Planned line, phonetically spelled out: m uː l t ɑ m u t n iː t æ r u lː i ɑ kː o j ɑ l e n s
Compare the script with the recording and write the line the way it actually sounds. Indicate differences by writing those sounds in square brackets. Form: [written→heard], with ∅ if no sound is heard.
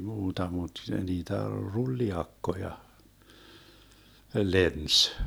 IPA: m uː [l→∅] t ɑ m u t n iː t æ r u lː i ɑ kː o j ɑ l e n s